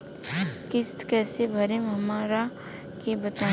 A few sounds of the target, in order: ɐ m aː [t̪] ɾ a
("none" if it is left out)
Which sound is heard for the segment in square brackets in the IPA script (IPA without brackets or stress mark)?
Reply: none